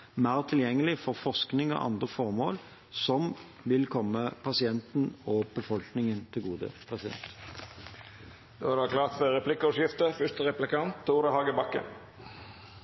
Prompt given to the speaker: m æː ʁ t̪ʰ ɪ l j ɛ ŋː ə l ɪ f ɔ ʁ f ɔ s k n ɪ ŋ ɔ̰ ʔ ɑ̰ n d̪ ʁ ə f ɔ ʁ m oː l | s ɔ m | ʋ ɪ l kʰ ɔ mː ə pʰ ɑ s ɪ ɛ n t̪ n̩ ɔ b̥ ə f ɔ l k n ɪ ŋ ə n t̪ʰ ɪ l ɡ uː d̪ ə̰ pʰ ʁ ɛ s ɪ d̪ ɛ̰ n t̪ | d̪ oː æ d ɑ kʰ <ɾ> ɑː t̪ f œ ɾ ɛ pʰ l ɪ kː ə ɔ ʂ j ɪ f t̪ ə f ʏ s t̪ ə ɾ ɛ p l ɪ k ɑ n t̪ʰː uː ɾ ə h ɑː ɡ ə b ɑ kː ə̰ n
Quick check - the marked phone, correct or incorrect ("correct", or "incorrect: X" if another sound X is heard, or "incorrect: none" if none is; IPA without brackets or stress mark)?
incorrect: l